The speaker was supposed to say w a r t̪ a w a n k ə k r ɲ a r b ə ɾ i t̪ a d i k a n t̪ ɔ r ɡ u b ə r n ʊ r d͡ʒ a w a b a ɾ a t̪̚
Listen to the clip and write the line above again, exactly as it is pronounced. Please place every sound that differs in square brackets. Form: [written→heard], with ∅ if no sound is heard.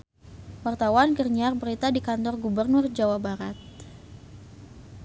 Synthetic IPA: w a r t̪ a w a n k ə [k→∅] r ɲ a r b ə ɾ i t̪ a d i k a n t̪ ɔ r ɡ u b ə r n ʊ r d͡ʒ a w a b a ɾ a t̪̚